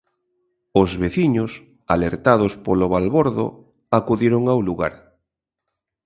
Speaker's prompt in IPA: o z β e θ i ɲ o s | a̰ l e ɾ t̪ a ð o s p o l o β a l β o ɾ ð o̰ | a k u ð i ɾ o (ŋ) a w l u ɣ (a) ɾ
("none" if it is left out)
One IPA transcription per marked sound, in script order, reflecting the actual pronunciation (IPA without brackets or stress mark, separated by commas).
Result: ŋ, a